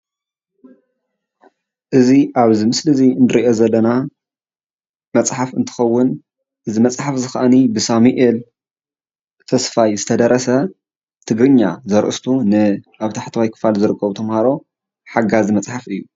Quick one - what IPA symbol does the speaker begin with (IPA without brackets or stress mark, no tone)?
ʔ